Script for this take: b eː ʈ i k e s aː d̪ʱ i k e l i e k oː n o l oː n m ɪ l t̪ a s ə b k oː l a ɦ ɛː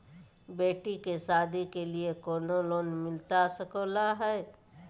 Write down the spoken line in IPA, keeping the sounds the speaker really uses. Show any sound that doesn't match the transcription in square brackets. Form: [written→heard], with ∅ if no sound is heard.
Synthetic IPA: b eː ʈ i k e s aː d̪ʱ i k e l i e k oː n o l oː n m ɪ l t̪ a s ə [b→∅] k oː l a ɦ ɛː